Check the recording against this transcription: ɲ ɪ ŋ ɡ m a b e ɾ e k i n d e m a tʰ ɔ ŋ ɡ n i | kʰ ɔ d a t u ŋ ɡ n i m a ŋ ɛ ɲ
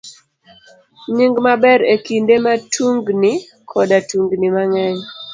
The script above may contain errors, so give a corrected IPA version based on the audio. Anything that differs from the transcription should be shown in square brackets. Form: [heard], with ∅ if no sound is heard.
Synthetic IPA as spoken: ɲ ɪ ŋ ɡ m a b [ɛ] ɾ e k i n d e m a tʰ [u] ŋ ɡ n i | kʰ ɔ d a t u ŋ ɡ n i m a ŋ ɛ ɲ